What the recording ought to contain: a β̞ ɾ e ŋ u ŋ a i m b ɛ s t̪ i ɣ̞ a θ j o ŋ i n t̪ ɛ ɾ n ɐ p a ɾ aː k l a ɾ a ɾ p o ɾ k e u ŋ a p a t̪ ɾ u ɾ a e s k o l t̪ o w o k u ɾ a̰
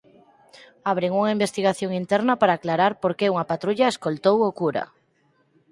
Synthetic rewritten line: a β̞ ɾ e ŋ u ŋ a i m b e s t̪ i ɣ̞ a θ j o ŋ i n t̪ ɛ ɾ n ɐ p a ɾ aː k l a ɾ a ɾ p o ɾ k e u ŋ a p a t̪ ɾ u ʎ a e s k o l t̪ o w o k u ɾ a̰